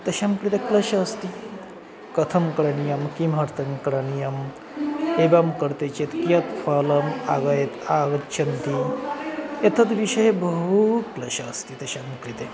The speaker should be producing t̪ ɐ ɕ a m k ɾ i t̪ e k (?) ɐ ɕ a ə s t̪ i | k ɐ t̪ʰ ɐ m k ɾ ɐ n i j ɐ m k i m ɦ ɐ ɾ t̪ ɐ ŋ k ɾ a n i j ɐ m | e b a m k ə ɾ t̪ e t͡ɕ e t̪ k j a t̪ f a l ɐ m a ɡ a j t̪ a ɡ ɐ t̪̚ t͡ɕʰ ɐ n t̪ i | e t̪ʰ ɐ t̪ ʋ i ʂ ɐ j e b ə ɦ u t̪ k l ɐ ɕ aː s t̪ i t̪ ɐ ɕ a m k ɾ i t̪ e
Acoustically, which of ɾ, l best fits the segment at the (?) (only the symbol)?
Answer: l